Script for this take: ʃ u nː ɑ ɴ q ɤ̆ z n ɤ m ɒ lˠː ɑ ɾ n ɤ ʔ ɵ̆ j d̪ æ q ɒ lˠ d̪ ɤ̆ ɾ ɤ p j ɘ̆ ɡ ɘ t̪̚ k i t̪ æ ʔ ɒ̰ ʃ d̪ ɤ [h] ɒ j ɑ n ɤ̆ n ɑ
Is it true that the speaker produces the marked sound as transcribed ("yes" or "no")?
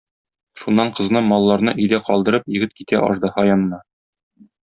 yes